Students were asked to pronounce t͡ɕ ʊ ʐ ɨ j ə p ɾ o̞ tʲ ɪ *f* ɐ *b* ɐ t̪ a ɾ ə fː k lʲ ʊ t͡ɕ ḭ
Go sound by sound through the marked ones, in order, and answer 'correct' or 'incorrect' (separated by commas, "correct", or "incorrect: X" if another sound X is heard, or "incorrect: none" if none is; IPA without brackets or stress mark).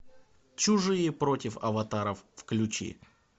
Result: correct, incorrect: v